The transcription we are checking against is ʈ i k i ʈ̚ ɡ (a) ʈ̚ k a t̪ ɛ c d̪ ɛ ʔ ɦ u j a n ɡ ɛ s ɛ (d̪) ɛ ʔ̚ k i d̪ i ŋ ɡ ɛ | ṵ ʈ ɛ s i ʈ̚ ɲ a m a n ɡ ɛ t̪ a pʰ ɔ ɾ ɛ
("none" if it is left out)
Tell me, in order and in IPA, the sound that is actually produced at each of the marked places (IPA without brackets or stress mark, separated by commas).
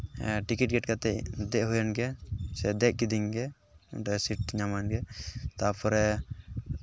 ɛ, d̪